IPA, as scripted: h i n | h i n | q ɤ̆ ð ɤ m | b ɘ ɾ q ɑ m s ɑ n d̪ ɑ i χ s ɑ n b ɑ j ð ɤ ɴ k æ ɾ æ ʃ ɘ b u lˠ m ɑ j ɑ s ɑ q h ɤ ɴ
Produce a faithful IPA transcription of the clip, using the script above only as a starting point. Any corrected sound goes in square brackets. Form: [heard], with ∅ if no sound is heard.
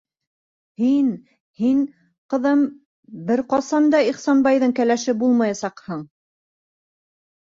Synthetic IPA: h i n | h i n | q ɤ̆ ð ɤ m | b ɘ ɾ q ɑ [∅] s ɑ n d̪ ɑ i χ s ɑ n b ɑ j ð ɤ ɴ k æ [l] æ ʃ ɘ b u lˠ m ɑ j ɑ s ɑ q h ɤ ɴ